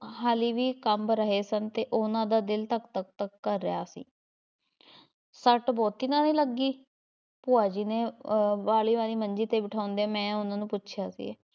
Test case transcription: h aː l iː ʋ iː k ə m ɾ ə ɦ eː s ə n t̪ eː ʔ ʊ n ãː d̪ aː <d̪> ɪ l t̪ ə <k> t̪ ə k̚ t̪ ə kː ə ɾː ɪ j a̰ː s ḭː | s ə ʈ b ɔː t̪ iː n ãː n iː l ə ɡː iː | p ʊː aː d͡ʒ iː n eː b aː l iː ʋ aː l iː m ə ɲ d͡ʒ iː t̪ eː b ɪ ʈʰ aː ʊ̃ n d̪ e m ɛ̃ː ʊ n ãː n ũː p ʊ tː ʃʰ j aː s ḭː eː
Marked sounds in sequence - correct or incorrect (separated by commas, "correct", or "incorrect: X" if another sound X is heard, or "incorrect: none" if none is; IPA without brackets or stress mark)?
correct, correct